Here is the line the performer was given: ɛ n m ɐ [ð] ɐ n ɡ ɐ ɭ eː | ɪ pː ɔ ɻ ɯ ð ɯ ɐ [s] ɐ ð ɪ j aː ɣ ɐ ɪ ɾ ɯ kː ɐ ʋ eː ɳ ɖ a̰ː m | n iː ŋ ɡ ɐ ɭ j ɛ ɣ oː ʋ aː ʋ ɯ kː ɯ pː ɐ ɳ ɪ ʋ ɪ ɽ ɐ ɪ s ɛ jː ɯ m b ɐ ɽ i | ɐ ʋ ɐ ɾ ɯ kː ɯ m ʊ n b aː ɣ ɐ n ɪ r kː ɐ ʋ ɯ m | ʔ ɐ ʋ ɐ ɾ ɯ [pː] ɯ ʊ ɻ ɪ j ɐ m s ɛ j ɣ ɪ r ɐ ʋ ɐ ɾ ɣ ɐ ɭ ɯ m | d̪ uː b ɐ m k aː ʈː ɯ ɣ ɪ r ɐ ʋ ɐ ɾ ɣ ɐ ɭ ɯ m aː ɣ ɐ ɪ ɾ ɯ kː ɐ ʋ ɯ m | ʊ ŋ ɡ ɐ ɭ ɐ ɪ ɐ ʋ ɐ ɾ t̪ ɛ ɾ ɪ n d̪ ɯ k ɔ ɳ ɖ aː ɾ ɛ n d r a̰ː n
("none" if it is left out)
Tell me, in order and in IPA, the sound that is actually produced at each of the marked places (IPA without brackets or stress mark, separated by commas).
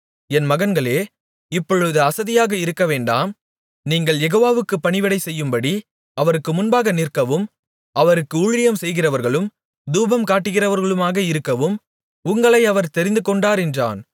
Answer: ɣ, s, kː